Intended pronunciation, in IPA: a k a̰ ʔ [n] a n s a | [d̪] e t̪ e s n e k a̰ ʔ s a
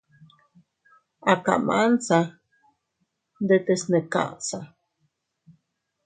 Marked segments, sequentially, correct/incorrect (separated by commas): incorrect, correct